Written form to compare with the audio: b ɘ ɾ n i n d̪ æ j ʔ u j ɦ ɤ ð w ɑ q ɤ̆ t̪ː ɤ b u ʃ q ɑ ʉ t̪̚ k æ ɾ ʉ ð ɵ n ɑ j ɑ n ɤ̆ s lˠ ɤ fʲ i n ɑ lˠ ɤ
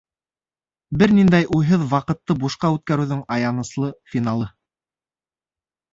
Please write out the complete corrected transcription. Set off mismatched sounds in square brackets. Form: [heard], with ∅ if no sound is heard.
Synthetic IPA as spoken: b ɘ ɾ n i n d̪ æ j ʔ u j ɦ ɤ ð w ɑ q ɤ̆ t̪ː ɤ b u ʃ q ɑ ʉ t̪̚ k æ ɾ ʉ ð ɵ [ŋ] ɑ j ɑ n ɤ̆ s lˠ ɤ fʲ i n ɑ lˠ ɤ